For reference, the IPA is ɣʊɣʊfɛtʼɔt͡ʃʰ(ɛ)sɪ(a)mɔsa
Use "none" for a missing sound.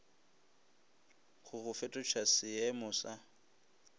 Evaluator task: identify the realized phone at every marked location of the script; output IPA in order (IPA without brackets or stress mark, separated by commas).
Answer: a, ɛ